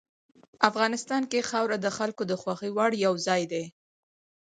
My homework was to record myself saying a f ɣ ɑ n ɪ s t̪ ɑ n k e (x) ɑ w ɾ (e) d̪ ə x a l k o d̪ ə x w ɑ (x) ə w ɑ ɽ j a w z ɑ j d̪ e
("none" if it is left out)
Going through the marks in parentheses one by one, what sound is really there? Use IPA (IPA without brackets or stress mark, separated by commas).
x, a, x